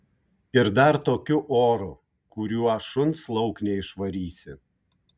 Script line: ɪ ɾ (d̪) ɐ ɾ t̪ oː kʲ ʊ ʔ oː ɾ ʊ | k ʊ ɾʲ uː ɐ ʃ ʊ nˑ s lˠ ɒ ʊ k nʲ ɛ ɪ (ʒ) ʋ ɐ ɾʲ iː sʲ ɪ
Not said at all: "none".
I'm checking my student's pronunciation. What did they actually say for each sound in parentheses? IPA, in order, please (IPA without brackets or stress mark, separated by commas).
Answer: d̪, ʃ